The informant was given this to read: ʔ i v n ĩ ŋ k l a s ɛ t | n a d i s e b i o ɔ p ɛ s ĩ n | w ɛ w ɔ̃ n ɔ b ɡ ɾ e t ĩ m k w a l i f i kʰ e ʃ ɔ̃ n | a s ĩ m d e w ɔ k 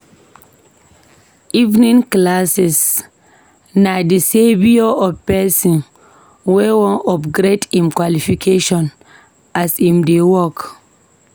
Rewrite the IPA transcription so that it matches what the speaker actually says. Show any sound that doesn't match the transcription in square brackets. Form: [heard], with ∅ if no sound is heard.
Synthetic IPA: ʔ i v n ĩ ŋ k l a s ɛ [s] | n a d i s e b i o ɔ p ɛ s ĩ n | w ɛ w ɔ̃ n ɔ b ɡ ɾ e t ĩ m k w a l i f i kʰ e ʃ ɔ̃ n | a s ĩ m d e w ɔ k